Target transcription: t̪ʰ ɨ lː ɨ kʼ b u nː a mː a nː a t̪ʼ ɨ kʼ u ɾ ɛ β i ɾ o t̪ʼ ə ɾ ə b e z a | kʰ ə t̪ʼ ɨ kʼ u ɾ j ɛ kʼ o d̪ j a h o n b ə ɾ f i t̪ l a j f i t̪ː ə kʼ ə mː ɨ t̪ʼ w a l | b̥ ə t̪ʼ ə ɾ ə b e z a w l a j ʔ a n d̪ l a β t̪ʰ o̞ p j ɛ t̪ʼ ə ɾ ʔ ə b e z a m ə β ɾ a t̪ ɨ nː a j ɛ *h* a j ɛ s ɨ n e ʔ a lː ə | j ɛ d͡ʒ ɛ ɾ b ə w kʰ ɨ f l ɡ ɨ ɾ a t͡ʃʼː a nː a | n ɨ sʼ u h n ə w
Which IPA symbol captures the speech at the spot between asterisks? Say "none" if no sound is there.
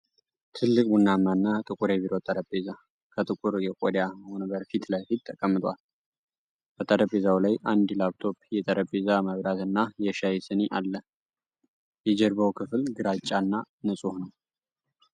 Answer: ʃ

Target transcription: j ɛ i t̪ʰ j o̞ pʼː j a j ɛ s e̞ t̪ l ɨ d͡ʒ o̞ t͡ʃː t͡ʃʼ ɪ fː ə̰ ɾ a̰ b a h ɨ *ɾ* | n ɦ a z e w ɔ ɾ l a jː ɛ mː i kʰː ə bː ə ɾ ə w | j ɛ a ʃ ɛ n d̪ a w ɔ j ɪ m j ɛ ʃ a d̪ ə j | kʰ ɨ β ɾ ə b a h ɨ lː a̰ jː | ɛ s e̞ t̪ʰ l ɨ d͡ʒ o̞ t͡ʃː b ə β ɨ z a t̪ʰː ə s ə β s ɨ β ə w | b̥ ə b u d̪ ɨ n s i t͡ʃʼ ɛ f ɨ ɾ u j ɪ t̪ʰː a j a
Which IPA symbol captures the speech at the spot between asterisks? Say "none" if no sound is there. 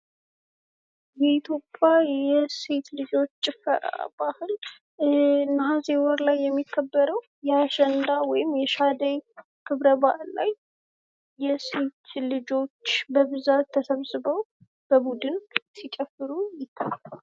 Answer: l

